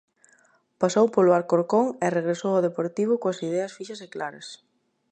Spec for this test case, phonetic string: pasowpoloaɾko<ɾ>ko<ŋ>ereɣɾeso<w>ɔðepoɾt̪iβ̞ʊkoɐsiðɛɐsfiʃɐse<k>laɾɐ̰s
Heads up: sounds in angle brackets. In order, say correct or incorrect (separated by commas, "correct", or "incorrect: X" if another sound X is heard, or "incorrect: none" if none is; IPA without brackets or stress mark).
correct, correct, correct, correct